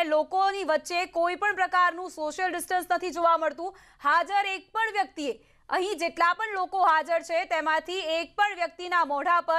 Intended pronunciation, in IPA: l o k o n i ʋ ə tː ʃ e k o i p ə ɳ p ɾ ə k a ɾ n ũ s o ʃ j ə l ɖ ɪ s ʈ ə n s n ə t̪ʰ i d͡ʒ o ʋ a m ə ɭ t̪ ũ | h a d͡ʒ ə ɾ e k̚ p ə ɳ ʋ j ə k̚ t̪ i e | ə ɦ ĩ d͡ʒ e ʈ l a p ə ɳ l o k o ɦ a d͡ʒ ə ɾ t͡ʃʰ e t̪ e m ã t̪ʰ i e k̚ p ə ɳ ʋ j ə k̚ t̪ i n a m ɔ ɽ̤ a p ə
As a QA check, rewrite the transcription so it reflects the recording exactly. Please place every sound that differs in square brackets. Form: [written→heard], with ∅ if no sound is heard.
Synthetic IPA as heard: l o k o n i ʋ ə tː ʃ e k o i p ə ɳ p ɾ ə k a ɾ n ũ s o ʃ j ə l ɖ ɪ s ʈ ə n s n ə t̪ʰ i d͡ʒ o ʋ a m ə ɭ t̪ ũ | h a d͡ʒ ə ɾ e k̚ p ə ɳ ʋ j ə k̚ t̪ i e | ə ɦ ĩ d͡ʒ e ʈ l a p ə ɳ l o k o ɦ a d͡ʒ ə ɾ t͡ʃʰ e t̪ e m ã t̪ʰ i e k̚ p ə ɳ ʋ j ə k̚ t̪ i n a m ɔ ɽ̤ a p ə